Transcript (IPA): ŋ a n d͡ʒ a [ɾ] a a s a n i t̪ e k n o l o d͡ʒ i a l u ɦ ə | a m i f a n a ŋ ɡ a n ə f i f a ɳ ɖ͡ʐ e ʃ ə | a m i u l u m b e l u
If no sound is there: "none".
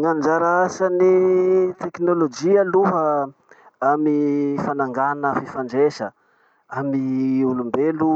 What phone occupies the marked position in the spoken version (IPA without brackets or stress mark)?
ɾ